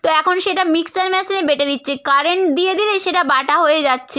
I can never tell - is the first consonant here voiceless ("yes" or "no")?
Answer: yes